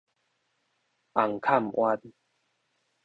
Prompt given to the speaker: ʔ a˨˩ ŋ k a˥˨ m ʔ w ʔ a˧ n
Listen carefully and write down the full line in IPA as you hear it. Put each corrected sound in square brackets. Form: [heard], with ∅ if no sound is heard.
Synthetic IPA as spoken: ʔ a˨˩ ŋ [kʰ] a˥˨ m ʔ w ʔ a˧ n